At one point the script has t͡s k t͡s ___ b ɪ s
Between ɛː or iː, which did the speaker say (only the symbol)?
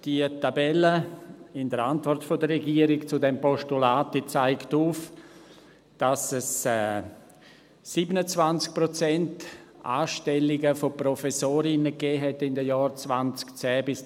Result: ɛː